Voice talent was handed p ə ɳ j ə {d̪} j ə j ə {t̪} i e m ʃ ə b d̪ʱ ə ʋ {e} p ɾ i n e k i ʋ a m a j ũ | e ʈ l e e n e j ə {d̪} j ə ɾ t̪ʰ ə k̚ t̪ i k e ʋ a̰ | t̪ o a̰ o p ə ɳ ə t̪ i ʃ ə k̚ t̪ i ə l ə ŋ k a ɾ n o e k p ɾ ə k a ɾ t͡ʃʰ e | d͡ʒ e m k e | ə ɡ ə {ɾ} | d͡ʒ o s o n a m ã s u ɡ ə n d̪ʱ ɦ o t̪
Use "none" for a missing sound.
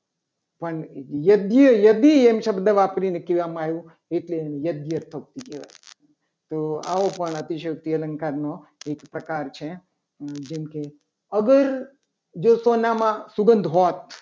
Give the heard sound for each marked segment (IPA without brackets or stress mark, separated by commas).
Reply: d̪, d̪, a, d̪, ɾ